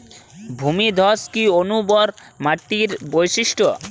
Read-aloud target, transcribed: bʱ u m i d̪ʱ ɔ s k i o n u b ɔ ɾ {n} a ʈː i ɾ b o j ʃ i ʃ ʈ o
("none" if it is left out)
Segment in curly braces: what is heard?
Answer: m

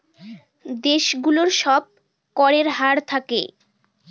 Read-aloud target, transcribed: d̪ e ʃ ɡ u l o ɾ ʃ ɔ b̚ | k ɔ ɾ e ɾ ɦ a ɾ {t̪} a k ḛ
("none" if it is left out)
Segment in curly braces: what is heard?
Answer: t̪ʰ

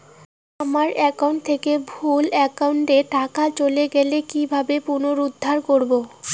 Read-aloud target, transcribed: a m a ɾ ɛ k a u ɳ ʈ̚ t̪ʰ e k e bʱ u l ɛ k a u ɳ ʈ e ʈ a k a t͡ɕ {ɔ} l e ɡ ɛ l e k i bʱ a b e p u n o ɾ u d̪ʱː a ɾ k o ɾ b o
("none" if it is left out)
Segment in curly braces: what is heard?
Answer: o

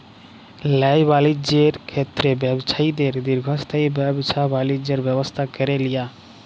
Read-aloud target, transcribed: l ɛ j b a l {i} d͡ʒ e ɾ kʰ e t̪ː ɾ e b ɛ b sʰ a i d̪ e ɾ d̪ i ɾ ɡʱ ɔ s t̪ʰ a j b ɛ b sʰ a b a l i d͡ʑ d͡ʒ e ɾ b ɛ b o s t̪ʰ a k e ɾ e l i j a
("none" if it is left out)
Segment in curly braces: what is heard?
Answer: i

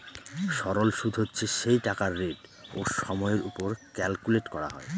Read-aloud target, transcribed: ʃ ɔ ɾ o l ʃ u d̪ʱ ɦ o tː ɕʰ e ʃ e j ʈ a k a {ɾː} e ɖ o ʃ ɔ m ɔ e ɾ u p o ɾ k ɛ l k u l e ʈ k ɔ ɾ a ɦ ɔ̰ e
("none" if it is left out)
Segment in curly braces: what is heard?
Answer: ɾː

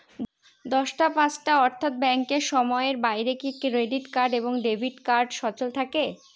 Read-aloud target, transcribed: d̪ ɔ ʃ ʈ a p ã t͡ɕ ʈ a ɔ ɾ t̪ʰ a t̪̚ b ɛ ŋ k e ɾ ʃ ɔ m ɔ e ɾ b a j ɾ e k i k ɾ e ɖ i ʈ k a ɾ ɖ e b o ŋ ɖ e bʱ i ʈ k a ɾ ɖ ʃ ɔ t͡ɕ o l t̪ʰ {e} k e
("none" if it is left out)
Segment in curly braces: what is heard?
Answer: a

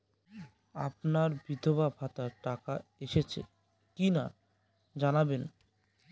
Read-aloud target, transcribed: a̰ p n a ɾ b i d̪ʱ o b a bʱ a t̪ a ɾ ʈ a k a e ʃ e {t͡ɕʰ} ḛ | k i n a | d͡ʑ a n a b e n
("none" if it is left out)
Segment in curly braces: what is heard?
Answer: t͡ɕʰ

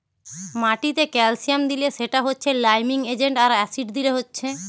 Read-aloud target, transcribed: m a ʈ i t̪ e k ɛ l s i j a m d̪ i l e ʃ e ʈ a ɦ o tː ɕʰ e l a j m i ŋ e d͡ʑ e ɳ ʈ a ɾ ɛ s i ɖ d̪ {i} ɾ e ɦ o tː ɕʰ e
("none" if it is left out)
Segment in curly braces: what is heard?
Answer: i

